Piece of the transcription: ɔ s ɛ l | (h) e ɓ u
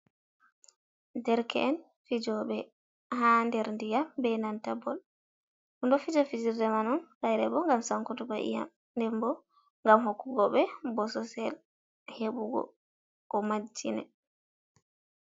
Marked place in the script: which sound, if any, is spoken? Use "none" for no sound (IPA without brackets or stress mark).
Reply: h